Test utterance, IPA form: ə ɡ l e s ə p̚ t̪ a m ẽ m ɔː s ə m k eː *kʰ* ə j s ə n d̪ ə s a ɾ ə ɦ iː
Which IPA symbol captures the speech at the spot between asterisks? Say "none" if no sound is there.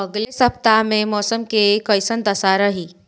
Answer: k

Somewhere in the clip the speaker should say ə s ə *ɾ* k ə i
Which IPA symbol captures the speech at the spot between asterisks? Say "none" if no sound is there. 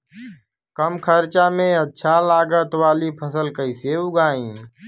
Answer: l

